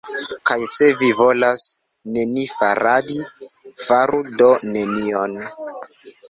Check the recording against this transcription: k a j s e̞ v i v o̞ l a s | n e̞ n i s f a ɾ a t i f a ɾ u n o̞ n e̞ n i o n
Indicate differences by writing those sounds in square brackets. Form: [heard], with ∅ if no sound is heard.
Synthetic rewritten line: k a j s e̞ v i v o̞ l a s | n e̞ n i [∅] f a ɾ a [d] i f a ɾ u [d] o̞ n e̞ n i o n